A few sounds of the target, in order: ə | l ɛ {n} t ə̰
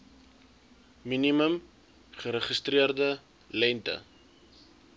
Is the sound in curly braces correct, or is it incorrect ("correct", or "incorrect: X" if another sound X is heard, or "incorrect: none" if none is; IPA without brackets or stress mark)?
correct